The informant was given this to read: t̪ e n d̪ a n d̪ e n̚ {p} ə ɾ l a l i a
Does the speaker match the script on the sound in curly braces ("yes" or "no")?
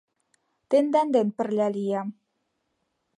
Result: yes